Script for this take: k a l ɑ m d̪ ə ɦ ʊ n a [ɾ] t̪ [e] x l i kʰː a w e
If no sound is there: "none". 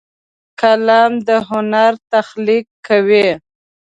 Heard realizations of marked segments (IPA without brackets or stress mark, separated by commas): ɾ, a